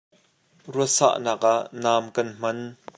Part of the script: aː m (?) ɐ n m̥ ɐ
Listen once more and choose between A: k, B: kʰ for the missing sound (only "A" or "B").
A